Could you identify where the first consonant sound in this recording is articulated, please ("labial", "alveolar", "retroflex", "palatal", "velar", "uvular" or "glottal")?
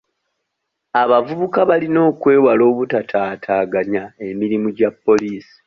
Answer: labial